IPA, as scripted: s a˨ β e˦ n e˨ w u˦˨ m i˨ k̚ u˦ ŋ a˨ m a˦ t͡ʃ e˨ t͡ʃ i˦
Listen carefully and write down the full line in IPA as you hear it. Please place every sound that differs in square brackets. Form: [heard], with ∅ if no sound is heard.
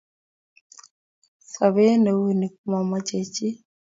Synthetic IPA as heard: s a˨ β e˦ n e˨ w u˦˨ [n] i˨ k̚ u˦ [m] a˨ m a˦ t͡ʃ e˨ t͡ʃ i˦